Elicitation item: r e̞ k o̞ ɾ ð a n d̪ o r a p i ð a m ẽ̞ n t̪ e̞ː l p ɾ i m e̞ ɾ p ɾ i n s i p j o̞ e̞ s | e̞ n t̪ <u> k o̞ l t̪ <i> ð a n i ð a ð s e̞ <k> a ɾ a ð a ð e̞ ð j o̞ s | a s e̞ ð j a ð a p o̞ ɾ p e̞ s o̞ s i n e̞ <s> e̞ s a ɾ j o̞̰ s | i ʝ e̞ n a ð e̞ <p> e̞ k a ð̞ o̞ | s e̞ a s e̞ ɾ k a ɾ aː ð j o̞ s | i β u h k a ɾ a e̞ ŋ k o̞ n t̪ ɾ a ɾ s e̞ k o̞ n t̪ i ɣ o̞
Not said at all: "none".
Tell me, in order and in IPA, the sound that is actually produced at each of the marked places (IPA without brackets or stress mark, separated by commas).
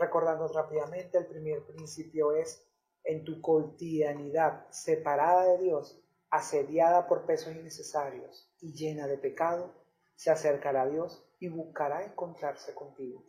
u, i, p, s, p